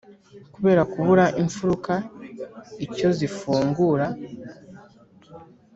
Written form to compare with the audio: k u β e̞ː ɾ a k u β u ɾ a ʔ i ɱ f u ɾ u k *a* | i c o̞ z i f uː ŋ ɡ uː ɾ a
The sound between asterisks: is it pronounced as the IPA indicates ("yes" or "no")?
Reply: yes